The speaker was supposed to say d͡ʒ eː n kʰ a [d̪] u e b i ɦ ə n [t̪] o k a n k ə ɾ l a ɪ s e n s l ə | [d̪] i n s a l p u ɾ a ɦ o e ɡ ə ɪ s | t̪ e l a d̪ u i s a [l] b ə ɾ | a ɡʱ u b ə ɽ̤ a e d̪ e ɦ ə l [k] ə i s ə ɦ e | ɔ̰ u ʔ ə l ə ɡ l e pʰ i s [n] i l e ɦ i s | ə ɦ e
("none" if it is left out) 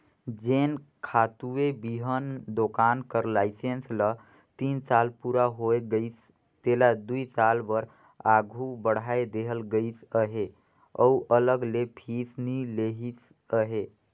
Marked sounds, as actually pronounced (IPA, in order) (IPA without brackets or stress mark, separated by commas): t̪, d̪, t̪, l, ɡ, n